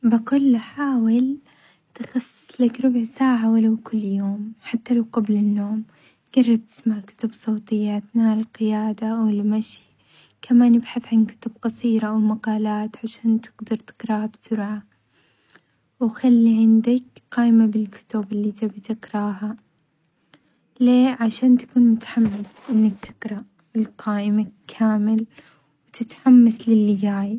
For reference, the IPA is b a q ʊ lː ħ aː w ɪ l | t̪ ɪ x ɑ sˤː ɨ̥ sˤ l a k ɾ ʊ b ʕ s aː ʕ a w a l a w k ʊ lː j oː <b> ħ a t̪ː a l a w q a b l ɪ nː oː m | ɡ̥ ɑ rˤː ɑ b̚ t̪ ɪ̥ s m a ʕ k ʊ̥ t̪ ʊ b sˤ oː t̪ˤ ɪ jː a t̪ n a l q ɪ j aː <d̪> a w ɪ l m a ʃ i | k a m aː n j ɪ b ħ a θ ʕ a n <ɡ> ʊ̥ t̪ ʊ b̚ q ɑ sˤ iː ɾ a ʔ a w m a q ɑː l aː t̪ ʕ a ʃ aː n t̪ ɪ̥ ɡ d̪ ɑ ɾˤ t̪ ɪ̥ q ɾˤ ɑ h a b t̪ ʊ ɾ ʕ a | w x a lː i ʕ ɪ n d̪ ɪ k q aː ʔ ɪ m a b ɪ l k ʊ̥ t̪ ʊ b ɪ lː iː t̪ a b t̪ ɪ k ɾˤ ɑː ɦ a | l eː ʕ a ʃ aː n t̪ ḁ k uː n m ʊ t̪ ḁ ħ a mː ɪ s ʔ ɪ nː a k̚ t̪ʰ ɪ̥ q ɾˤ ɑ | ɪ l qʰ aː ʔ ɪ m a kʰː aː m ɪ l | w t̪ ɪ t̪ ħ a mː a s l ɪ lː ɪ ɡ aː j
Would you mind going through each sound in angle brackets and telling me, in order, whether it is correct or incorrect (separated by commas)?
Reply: incorrect, correct, incorrect